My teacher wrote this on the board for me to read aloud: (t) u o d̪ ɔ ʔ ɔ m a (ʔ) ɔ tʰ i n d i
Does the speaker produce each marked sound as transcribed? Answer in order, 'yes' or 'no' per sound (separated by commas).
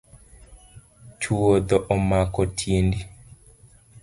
no, no